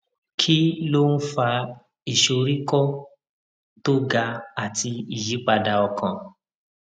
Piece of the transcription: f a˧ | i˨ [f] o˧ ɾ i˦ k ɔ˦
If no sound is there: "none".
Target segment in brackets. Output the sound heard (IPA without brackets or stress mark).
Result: ʃ